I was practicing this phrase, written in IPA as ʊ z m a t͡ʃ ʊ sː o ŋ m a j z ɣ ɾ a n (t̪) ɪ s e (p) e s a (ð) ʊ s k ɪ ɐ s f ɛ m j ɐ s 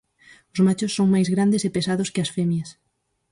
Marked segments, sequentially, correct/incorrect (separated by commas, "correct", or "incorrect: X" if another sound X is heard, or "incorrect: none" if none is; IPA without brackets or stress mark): incorrect: d̪, correct, correct